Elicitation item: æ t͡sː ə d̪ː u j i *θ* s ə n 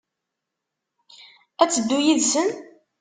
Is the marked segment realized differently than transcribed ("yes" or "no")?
yes